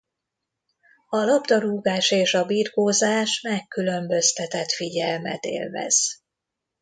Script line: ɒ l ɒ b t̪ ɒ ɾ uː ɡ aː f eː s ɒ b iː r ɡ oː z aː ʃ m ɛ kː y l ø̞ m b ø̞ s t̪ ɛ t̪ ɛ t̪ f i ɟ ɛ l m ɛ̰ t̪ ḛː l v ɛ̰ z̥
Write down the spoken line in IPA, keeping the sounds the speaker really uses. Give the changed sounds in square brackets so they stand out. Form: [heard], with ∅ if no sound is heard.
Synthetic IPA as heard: ɒ l ɒ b [d̪] ɒ ɾ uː ɡ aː [ʃ] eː [ʃ] ɒ b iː r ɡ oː z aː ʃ m ɛ kː y l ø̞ m b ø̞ s t̪ ɛ t̪ ɛ t̪ f i ɟ ɛ l m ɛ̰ t̪ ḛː l v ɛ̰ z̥